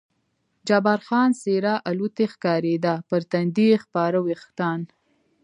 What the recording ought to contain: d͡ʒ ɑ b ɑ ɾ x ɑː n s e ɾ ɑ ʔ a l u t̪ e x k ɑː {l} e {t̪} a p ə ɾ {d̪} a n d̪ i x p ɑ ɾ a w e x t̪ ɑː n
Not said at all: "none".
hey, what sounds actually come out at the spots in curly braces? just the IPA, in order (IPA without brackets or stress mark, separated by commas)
ɾ, d̪, t̪